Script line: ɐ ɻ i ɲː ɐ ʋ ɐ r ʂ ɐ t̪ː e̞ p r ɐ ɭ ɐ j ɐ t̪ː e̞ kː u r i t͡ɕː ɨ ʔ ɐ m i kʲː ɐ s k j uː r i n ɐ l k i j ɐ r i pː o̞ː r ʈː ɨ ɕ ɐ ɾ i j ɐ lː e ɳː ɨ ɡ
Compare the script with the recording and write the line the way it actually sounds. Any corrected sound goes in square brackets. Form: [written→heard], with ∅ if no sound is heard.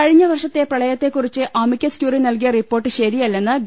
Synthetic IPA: ɐ ɻ i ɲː ɐ ʋ ɐ r ʂ ɐ t̪ː e̞ p r ɐ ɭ ɐ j ɐ t̪ː e̞ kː u r i t͡ɕː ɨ ʔ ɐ m i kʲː ɐ s k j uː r i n ɐ l k i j ɐ r i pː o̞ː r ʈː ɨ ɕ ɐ ɾ i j ɐ lː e [ɳː→nː] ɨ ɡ